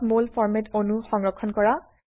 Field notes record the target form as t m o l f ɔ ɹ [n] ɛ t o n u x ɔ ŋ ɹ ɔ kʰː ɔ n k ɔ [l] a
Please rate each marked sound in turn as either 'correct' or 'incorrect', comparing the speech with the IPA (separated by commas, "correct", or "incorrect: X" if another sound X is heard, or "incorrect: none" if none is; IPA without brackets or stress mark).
incorrect: m, incorrect: ɹ